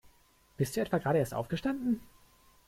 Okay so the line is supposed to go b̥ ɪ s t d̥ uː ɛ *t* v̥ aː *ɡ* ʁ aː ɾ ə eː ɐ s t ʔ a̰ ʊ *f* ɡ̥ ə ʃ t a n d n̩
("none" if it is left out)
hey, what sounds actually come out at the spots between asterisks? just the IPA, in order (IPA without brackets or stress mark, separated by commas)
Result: t, ɡ, f